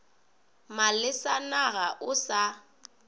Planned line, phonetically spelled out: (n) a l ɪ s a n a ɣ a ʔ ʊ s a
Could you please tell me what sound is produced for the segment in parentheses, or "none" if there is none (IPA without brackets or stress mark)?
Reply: m